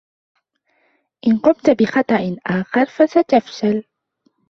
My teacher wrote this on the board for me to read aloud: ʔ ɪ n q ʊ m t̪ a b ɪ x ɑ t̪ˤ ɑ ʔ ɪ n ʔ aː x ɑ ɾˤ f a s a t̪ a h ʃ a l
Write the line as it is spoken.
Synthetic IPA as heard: ʔ ɪ n q ʊ m t̪ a b ɪ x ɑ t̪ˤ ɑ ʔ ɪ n ʔ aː x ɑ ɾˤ f a s a t̪ a f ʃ a l

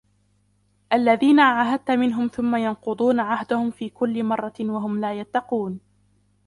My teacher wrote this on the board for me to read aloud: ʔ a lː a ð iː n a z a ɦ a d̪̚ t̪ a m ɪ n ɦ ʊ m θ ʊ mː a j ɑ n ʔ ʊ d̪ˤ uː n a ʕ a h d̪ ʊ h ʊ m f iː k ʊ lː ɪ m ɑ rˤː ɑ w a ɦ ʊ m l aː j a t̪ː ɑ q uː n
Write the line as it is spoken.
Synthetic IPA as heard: ʔ a lː a ð iː n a ʕ a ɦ a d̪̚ t̪ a m ɪ n ɦ ʊ m θ ʊ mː a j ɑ n q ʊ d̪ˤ uː n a ʕ a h d̪ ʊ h ʊ m f iː k ʊ lː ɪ m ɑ rˤː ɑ w a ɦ ʊ m l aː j a t̪ː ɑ q uː n

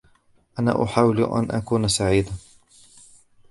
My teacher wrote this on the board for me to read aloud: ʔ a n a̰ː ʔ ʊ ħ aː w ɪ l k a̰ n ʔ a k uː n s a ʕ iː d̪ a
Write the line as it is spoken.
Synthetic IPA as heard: ʔ a n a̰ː ʔ ʊ ħ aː w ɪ l ʔ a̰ n ʔ a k uː n s a ʕ iː d̪ a

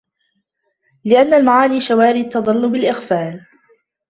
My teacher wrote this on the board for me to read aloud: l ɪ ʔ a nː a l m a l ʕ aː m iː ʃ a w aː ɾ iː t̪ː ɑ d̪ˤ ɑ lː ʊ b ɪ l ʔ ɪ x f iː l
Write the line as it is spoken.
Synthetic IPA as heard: l ɪ ʔ a nː a l m a ʕ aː n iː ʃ a w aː ɾ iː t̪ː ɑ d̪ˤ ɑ lː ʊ b ɪ l ʔ ɪ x f aː l

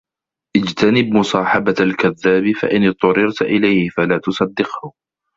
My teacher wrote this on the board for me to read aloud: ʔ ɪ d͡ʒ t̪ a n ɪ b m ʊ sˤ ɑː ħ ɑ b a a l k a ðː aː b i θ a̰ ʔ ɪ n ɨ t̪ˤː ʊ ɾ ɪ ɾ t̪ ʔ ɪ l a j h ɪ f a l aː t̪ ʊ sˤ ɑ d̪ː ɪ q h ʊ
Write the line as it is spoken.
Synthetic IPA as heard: ʔ ɪ d͡ʒ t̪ a n ɪ b m ʊ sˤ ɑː ħ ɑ b a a l k a ðː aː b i f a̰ ʔ ɪ n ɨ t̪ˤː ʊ ɾ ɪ ɾ t̪ ʔ ɪ l a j h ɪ f a l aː t̪ ʊ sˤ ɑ d̪ː ɪ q h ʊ

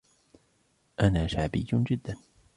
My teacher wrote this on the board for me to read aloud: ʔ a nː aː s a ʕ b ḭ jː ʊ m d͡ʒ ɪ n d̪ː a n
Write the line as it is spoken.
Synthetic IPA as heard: ʔ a n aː ʃ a ʕ b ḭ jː ʊ n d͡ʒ ɪ d̪ː a n

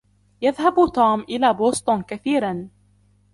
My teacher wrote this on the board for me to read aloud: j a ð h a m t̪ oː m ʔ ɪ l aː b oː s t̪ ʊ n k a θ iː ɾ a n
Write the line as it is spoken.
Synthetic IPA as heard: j a ð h a b t̪ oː m ʔ ɪ l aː b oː s t̪ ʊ n k a θ iː ɾ a n

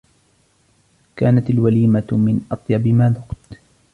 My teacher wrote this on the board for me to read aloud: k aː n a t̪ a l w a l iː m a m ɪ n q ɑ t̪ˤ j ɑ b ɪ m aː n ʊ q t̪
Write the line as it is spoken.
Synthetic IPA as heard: k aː n a t̪ a l w a l iː m a m ɪ n ʔ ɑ t̪ˤ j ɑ b ɪ m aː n ʊ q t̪

